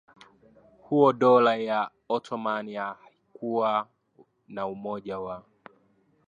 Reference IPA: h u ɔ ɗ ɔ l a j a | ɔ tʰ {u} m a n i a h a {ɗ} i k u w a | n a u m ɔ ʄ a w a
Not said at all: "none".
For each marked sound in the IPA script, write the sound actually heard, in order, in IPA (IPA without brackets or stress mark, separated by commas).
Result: ɔ, none